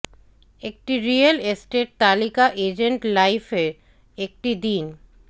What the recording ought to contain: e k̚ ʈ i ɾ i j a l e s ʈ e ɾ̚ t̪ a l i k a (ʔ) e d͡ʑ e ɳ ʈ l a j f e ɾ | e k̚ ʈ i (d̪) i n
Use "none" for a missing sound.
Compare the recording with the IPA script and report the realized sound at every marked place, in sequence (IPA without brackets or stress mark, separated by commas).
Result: ʔ, d̪